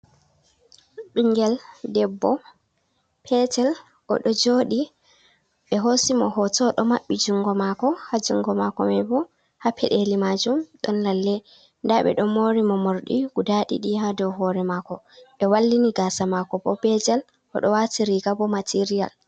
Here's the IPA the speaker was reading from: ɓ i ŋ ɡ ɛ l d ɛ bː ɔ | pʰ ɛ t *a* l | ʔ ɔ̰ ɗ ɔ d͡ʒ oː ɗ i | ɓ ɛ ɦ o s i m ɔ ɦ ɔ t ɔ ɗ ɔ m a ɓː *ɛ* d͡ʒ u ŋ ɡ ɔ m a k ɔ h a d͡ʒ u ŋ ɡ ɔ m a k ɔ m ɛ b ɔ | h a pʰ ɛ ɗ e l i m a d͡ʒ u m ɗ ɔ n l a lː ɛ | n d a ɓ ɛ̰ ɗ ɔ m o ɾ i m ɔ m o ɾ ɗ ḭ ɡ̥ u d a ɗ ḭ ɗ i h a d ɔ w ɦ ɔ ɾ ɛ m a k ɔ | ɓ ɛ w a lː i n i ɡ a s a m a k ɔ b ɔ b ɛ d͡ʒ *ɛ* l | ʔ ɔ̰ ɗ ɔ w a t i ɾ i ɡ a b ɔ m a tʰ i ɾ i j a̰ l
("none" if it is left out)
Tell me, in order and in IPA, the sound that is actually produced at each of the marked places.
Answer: ɛ, i, ɛ

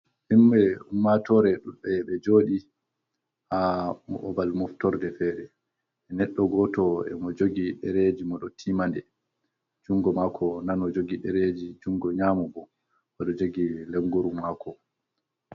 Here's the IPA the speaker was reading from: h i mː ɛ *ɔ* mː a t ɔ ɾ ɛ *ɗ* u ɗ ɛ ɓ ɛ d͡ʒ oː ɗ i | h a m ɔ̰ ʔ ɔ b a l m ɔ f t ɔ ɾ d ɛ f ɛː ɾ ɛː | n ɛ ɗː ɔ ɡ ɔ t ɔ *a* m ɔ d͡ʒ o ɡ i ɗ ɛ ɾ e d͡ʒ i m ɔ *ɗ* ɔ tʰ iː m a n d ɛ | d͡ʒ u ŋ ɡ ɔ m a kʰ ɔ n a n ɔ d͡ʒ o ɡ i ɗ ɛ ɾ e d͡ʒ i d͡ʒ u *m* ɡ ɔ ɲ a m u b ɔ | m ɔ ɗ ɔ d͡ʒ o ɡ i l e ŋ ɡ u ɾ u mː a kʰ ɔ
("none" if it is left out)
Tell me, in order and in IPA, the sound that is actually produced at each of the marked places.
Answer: u, ɗ, ɛ, ɗ, ŋ

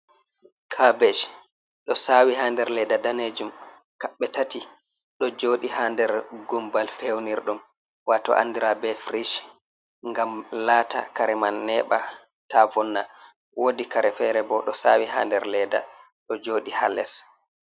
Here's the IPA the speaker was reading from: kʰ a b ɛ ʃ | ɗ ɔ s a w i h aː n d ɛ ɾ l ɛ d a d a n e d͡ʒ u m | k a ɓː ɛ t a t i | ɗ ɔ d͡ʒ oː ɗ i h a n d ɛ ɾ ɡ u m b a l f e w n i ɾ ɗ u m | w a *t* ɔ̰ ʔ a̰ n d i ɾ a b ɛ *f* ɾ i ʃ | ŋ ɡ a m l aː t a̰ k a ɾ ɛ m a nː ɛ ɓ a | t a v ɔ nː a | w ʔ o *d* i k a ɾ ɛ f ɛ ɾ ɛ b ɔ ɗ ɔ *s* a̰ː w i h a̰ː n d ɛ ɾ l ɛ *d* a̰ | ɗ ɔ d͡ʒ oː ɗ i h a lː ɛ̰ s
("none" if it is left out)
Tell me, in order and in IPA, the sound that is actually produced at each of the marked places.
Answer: t, f, d, s, d

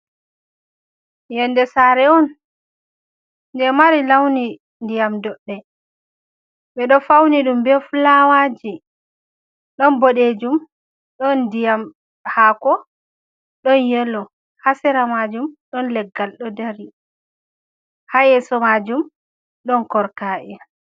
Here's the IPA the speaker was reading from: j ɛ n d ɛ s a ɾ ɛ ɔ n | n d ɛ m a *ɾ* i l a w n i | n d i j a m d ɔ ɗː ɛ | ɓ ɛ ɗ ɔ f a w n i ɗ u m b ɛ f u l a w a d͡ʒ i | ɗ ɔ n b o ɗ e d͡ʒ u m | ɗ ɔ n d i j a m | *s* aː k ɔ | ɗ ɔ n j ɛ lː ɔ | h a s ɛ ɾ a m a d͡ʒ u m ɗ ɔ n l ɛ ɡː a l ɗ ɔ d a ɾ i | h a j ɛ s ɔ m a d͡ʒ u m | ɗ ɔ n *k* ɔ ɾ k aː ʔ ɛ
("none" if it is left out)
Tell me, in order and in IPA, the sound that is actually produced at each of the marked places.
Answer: ɾ, h, k

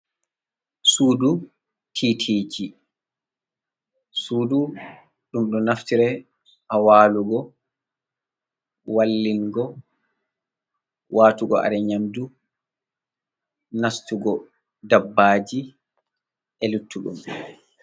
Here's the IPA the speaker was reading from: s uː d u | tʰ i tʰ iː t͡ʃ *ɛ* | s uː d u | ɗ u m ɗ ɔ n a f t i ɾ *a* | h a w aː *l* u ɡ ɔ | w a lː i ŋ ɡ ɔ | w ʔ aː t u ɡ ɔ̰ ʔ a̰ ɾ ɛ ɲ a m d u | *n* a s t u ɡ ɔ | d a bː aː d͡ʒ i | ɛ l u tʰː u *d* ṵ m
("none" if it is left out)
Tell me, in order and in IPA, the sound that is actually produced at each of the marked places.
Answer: i, ɛ, l, n, ɗ

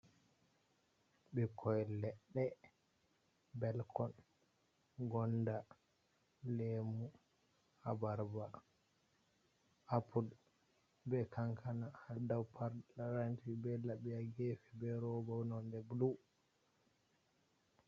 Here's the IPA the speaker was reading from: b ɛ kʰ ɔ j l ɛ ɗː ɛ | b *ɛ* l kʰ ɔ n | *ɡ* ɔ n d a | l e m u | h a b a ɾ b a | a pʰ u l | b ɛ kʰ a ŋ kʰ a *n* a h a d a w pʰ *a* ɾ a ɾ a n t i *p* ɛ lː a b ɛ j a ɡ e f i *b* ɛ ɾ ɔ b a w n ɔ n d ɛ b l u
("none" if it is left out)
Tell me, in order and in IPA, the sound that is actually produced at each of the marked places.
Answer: ɛ, ɡ, n, a, b, b

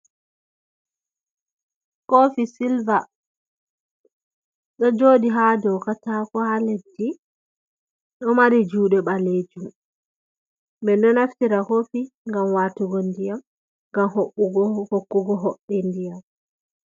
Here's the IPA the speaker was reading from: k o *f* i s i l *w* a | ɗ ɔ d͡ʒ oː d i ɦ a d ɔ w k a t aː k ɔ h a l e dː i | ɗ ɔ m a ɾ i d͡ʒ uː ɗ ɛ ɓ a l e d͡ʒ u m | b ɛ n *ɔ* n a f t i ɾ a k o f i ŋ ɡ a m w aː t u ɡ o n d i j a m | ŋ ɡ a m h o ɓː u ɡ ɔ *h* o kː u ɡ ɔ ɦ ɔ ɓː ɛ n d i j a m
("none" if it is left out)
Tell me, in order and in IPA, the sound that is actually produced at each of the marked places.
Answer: f, v, ɔ, h

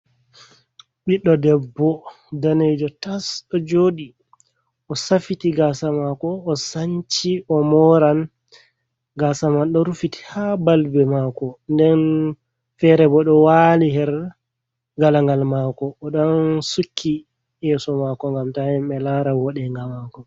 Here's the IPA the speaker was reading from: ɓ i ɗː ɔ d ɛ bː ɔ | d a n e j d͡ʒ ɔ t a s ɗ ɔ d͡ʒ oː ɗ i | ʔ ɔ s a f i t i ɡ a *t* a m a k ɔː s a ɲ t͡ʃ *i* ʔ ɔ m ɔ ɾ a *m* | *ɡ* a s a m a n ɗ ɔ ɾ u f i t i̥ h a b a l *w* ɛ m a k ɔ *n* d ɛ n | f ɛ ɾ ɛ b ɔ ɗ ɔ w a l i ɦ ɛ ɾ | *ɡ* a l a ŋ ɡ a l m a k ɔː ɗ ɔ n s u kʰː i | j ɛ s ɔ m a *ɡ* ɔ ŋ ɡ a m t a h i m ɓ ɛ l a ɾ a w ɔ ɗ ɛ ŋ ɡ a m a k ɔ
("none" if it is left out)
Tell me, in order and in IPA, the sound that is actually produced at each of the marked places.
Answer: s, i, n, ɡ, b, n, ɡ, k

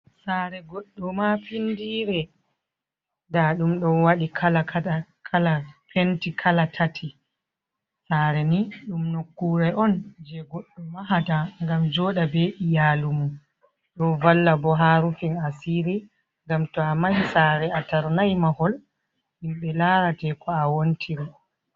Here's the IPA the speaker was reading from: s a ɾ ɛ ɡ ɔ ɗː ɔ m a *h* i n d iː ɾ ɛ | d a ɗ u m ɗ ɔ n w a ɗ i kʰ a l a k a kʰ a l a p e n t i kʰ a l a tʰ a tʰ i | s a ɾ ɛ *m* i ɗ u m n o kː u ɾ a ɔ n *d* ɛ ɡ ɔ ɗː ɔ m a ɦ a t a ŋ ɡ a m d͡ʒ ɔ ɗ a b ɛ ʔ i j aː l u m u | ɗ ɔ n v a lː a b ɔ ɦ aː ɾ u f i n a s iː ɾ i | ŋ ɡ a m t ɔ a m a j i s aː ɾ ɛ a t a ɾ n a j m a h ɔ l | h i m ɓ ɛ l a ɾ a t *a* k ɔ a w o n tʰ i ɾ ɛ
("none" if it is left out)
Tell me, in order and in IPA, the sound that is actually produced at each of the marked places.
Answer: f, n, d͡ʒ, ɛ

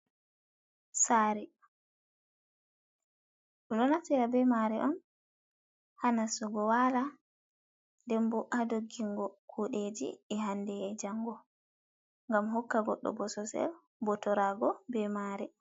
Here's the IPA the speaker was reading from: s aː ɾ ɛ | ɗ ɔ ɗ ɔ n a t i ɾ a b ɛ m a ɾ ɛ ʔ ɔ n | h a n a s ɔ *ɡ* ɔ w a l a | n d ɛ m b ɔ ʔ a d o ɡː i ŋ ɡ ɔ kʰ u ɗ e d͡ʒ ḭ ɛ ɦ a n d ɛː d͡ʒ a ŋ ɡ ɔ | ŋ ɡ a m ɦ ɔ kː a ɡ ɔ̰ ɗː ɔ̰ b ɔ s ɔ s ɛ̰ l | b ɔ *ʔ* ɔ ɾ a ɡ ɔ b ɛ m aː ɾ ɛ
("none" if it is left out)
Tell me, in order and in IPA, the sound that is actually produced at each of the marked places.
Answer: ɡ, t

